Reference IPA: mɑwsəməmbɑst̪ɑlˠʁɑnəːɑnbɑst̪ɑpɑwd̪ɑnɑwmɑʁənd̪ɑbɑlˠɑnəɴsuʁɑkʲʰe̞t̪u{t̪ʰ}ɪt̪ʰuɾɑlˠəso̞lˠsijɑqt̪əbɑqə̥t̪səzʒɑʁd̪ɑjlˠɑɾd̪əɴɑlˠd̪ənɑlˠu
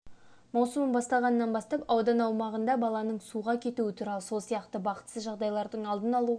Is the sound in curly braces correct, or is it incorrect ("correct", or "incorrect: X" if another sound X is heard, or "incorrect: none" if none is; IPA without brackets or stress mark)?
incorrect: none